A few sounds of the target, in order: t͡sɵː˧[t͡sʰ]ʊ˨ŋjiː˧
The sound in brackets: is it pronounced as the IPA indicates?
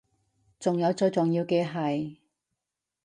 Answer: no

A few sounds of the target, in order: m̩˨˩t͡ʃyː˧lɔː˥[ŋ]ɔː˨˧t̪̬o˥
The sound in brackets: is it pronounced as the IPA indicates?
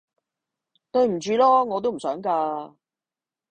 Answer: yes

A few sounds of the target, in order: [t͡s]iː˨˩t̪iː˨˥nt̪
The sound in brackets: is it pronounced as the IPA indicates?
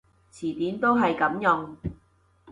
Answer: no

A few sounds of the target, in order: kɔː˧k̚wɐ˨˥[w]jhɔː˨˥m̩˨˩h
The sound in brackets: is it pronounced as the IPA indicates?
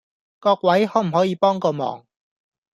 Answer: no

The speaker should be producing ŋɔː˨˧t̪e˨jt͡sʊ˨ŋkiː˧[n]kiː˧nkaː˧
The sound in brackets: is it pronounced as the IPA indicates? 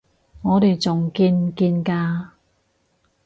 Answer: yes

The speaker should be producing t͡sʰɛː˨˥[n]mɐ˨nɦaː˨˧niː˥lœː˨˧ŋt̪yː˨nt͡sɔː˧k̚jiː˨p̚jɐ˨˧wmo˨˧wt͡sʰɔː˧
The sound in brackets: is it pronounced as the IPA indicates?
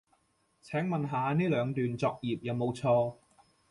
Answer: no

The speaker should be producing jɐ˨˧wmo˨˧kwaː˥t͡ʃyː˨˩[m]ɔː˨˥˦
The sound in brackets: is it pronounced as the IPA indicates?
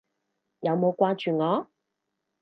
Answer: no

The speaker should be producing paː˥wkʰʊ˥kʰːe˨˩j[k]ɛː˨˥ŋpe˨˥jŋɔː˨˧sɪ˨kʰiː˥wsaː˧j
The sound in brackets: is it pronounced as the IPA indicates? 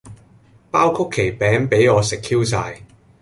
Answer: no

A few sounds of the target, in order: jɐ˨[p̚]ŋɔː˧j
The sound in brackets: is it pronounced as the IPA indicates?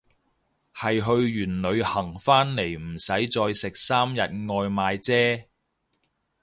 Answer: no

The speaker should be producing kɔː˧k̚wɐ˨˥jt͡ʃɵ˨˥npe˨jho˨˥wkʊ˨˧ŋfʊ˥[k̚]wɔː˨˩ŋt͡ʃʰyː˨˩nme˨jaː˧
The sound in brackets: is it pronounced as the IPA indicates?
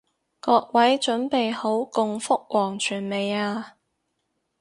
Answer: yes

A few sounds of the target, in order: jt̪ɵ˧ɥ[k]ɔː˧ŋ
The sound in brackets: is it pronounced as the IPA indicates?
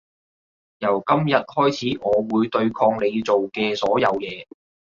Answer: no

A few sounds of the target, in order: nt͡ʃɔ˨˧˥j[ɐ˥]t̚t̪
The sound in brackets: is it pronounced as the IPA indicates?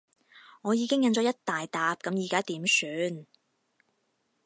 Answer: yes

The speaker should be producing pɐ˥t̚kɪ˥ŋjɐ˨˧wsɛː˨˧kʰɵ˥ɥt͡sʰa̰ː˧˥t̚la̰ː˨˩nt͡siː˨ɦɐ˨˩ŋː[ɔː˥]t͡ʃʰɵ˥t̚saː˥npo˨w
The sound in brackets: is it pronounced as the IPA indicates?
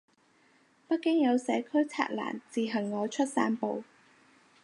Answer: no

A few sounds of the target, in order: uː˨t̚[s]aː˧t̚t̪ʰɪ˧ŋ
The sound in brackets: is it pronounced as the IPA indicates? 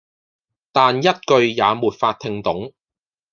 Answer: no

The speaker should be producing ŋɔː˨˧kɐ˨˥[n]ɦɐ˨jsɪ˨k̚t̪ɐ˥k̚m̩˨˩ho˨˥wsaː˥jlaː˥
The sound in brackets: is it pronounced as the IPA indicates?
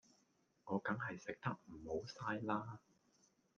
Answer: no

